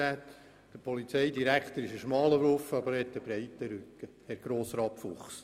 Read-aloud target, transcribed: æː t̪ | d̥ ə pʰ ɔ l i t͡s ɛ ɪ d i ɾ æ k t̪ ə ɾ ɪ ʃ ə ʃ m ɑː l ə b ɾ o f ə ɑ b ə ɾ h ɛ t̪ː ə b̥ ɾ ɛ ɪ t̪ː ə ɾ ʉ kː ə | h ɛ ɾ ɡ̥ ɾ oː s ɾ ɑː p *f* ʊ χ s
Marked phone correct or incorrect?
correct